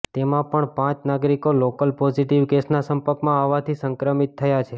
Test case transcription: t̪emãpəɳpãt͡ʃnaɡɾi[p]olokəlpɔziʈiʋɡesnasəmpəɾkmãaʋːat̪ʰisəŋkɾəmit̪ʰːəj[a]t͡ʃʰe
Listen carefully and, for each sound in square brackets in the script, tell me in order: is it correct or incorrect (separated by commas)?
incorrect, correct